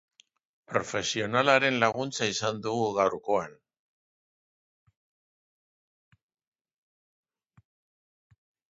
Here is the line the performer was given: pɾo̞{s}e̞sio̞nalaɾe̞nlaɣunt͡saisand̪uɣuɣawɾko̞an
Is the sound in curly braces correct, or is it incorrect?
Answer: incorrect